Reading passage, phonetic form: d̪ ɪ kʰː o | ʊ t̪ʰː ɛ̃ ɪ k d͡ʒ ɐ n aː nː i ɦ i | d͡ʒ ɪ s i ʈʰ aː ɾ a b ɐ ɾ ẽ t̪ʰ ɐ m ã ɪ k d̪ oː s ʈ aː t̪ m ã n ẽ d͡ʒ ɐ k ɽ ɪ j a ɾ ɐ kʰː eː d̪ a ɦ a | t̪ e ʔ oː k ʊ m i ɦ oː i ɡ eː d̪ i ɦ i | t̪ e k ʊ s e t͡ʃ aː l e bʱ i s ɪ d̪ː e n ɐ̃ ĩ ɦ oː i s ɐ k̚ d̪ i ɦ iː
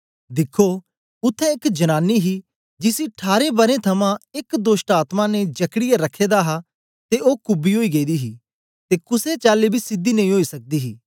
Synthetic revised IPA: d̪ ɪ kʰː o | ʊ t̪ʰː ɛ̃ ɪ k d͡ʒ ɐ n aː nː i ɦ i | d͡ʒ ɪ s i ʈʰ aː ɾ e b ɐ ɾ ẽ t̪ʰ ɐ m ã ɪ k d̪ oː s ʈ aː t̪ m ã n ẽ d͡ʒ ɐ k ɽ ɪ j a ɾ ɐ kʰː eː d̪ a ɦ a | t̪ e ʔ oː k ʊ b i ɦ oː i ɡ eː d̪ i ɦ i | t̪ e k ʊ s e t͡ʃ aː l e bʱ i s ɪ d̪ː i n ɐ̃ ĩ ɦ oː i s ɐ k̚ d̪ i ɦ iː